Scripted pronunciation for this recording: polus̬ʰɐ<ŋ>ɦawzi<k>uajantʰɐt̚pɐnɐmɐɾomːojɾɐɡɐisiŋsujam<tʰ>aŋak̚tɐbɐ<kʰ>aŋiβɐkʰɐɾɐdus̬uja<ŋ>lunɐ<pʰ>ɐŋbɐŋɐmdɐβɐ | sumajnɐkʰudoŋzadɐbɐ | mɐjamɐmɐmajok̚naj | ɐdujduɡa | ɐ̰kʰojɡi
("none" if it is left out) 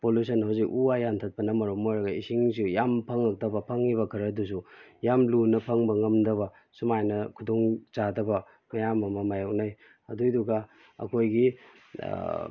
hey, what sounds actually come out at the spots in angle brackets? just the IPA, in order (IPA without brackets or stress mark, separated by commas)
n, k, pʰ, pʰ, m, pʰ